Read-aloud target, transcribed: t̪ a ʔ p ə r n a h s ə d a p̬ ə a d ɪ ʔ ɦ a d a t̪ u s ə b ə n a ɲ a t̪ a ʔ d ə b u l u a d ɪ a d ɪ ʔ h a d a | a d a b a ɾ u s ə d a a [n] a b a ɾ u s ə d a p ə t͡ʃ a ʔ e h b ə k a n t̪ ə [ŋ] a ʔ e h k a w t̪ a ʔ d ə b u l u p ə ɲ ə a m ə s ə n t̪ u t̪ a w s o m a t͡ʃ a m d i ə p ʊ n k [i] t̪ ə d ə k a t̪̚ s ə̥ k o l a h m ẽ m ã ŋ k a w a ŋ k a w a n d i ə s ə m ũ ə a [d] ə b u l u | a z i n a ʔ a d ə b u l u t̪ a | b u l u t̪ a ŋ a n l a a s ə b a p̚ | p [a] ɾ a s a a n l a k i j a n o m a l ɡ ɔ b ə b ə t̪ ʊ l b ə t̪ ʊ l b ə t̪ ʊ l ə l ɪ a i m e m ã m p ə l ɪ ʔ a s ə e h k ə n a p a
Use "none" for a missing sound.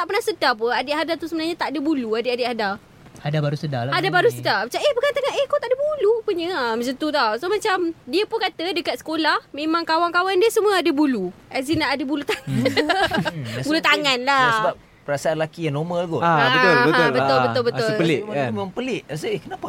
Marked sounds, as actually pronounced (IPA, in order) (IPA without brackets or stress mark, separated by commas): d, ŋ, a, d, ə